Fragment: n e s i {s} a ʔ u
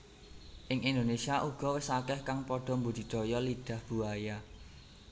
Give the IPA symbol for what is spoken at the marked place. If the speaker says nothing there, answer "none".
none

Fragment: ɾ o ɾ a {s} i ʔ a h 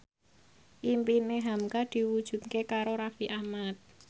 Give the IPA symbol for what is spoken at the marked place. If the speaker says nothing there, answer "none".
f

